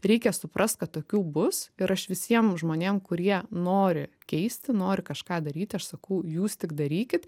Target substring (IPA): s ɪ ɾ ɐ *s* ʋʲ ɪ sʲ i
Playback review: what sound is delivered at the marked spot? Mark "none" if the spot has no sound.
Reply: ʃ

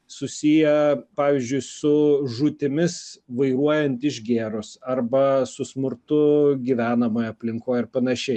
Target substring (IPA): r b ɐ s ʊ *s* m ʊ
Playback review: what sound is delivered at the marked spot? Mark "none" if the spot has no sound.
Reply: s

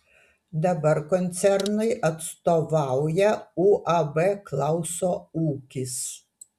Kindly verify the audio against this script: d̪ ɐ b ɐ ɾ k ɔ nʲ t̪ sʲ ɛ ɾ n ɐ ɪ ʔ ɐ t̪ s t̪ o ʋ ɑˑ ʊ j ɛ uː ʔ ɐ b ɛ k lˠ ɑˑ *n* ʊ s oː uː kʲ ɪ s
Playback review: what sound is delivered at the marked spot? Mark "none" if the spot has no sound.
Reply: none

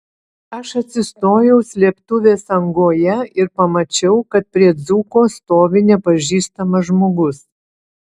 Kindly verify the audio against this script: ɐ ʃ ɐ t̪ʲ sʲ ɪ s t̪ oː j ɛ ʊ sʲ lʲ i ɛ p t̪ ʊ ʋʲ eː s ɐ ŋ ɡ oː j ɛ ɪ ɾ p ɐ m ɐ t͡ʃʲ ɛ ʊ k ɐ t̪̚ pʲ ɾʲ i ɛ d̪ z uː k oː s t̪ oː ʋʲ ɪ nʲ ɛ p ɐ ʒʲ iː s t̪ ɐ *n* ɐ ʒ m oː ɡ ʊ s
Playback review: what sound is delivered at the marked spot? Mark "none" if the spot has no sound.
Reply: m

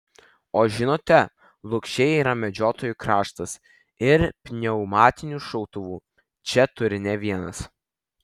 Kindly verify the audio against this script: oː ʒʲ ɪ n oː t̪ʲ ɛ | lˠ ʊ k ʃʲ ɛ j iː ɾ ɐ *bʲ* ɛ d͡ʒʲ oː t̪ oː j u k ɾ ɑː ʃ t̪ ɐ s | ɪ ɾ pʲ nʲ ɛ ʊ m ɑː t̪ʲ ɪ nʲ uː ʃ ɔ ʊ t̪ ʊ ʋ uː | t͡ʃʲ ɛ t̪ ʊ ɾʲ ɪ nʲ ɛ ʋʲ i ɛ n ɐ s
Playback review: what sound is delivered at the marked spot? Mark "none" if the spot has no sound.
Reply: mʲ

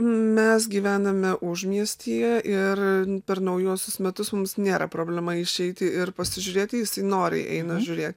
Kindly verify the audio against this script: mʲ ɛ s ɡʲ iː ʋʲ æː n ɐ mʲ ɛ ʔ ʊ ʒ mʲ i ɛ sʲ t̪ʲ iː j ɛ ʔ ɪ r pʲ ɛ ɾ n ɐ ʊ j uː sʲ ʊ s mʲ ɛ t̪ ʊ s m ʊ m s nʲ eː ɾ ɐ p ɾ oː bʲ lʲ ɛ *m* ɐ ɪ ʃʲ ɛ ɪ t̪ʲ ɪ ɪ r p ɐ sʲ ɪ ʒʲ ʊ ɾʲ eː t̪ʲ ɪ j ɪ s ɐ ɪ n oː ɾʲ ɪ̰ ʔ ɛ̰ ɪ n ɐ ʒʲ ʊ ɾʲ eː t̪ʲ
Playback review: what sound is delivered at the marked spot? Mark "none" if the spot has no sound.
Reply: m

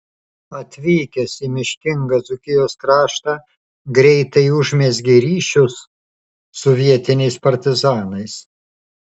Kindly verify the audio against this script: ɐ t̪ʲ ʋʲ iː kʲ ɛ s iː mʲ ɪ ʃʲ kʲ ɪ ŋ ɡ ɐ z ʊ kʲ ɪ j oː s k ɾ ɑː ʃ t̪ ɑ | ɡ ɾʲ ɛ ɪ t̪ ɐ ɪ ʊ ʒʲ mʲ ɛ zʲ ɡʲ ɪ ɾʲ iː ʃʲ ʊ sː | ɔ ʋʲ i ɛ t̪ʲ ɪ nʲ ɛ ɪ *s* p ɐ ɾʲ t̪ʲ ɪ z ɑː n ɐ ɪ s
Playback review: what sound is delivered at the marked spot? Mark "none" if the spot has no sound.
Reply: s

